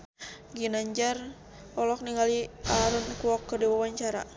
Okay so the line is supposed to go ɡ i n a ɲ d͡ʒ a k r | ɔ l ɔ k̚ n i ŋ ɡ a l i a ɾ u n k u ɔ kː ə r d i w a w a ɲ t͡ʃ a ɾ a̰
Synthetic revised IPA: ɡ i n a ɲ d͡ʒ a r | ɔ l ɔ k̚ n i ŋ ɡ a l i a ɾ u n k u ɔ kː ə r d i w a w a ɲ t͡ʃ a ɾ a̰